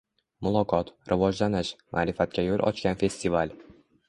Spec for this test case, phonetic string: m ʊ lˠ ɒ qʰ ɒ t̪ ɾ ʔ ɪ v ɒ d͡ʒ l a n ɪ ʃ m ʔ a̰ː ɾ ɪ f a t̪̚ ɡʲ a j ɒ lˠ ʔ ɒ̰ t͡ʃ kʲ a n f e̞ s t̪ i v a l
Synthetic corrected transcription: m ʊ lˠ ɒ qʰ ɒ t̪ ɾ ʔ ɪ v ɒ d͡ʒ l a n ɪ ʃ m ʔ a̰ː ɾ ɪ f a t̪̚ kʲ a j o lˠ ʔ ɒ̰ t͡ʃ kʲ a n f e̞ s t̪ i v a l